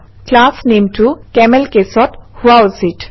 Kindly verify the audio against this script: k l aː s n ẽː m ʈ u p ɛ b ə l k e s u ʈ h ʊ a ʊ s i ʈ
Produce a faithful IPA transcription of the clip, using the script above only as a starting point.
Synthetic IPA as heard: k l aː s n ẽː m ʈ u k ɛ m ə l k e s ɔ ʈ h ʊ a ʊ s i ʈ

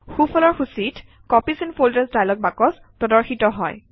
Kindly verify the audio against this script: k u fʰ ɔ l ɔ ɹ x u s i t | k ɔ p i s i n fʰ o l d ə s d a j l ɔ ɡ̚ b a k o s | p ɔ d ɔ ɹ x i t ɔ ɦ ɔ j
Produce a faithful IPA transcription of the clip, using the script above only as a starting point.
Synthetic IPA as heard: x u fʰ ɔ l ɔ ɹ x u s i t | k ɔ p i s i n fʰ o l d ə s d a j l ɔ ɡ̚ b a k ɔ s | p ɔ d ɔ ɹ x i t ɔ ɦ ɔ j

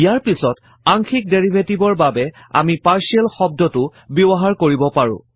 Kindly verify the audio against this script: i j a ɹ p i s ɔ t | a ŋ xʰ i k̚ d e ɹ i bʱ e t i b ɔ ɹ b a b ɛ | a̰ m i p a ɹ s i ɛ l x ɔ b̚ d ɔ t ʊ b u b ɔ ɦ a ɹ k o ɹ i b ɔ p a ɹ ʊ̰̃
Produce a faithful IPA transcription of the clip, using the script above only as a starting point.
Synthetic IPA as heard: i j a ɹ p i s ɔ t | a ŋ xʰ i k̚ d e ɹ i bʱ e t i b ɔ ɹ b a b ɛ | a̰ m i p a ɹ s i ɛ l x ɔ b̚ d ɔ t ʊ b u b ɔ ɦ a ɹ k o ɹ i b ɔ p a ɹ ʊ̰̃

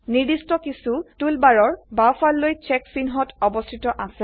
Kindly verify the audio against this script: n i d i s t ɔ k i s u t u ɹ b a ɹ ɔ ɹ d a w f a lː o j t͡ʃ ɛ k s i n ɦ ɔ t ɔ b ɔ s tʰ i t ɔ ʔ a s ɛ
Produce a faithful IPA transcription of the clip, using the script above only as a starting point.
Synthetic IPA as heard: n i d i s t ɔ k i s u t u l b a ɹ ɔ ɹ b a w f a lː o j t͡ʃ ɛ k s i n ɦ ɔ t ɔ b ɔ s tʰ i t ɔ ʔ a s ɛ

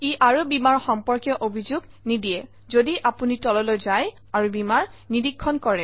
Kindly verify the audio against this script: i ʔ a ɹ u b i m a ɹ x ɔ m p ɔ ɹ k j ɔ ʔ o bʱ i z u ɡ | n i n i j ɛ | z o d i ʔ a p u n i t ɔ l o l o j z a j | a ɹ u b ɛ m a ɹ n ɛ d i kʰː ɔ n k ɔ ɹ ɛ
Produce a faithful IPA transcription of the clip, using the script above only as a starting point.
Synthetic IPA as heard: i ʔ a ɹ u b i m a ɹ x ɔ m p ɔ ɹ k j ɔ ʔ o bʱ i z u ɡ | n i d i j ɛ | z o d i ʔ a p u n i t ɔ l ɔ l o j z a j | a ɹ u b i m a ɹ n i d i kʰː ɔ n k ɔ ɹ ɛ

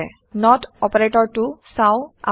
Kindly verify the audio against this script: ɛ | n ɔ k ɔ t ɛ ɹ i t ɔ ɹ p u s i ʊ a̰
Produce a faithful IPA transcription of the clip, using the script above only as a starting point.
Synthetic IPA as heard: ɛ | n ɔ t ɔ p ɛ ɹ e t ɔ ɹ t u s a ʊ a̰

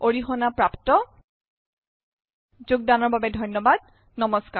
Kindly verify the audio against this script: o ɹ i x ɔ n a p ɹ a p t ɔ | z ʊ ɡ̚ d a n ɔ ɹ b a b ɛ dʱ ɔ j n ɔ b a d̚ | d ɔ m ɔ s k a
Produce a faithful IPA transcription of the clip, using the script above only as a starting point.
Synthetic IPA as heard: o ɹ i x ɔ n a p ɹ a p t ɔ | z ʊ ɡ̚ d a n ɔ ɹ b a b ɛ dʱ ɔ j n ɔ b a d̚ | n ɔ m ɔ s k a

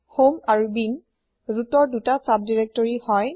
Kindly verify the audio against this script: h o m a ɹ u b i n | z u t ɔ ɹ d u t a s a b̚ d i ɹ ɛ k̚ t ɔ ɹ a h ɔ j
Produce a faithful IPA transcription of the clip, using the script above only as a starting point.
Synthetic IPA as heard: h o m a ɹ u b i n | z u t ɔ ɹ d u t a s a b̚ d i ɹ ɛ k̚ t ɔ ɹ i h ɔ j

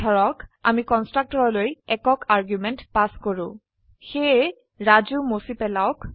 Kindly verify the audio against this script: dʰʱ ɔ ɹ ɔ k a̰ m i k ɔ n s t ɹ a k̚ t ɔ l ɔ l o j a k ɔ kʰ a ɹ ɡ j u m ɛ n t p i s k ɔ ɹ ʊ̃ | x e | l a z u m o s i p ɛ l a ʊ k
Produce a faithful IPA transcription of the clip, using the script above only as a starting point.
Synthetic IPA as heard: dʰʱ ɔ ɹ ɔ k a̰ m i k ɔ n s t ɹ a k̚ t ɔ ɹ ɔ l o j ɛ k ɔ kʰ a ɹ ɡ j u m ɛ n t p a s k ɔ ɹ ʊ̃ | x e | ɹ a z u m o s i p ɛ l a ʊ k

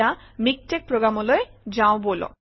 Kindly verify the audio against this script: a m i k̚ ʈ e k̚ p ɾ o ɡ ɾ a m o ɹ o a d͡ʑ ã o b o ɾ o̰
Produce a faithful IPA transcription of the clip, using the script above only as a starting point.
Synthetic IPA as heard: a m i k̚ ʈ e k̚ p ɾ o ɡ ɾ a m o l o e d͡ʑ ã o b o l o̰

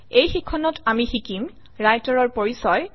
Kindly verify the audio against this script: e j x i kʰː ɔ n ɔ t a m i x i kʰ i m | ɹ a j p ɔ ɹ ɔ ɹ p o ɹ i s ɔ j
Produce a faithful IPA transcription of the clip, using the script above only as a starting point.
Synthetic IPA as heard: e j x i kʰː ɔ n ɔ t a m i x i k i m | ɹ a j t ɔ ɹ ɔ ɹ p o ɹ i s ɔ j

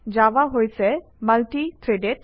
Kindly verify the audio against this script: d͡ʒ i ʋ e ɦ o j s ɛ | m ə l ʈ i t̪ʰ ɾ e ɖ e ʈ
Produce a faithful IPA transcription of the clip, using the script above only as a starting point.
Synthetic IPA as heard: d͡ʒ a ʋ a ɦ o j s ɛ | m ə l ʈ i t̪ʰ ɾ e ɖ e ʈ

